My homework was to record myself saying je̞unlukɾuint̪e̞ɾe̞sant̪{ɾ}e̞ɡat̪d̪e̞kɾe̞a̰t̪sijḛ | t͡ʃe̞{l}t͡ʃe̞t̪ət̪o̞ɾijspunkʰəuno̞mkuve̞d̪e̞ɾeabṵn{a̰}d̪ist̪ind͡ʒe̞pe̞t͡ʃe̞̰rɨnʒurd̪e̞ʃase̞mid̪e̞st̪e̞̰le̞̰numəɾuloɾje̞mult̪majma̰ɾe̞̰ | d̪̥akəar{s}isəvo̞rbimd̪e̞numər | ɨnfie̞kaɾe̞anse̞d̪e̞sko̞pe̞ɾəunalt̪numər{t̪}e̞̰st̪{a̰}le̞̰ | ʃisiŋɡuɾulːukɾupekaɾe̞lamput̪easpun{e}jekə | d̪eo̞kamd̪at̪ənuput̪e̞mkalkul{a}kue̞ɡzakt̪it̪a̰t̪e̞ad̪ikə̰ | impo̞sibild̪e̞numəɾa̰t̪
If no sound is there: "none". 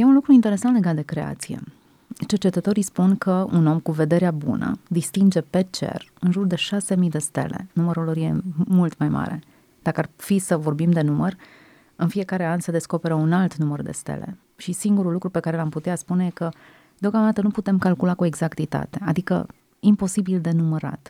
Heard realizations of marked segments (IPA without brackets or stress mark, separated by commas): l, r, ə̰, f, d̪, ḛ, e, a